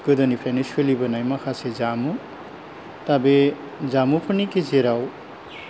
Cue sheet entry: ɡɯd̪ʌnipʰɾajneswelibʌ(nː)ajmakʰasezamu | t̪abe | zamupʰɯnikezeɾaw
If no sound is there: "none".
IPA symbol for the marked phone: n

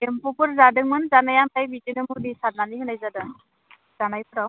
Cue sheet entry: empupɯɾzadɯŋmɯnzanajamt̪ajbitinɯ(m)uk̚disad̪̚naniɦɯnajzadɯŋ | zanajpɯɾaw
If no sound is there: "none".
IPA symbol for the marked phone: m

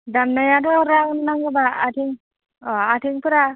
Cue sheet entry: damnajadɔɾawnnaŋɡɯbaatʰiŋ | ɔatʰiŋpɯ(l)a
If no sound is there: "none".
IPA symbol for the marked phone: ɾ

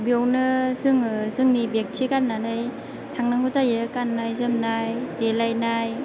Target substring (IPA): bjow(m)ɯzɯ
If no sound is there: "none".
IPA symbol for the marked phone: n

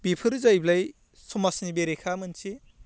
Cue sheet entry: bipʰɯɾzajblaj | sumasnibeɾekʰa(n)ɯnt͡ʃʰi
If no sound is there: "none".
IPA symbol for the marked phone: m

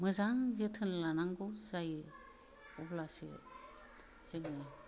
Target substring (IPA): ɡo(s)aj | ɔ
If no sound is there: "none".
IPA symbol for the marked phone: z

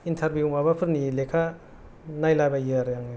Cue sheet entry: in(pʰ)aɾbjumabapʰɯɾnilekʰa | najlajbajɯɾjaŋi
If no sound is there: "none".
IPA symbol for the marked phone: tʰ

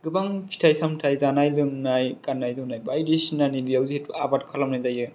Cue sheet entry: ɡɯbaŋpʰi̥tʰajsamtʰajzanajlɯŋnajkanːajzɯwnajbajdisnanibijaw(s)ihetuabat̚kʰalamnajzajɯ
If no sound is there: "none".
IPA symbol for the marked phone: z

